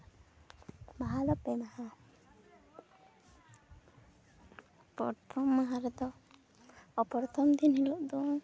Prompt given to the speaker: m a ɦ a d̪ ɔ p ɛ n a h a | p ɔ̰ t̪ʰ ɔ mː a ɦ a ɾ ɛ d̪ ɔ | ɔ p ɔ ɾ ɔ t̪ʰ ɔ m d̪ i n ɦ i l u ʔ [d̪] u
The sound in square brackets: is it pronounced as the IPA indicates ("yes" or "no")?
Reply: yes